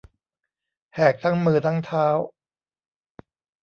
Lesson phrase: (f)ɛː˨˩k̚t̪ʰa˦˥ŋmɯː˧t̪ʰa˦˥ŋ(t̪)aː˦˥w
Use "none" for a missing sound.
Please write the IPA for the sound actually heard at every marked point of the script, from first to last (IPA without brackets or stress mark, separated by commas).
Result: h, t̪ʰ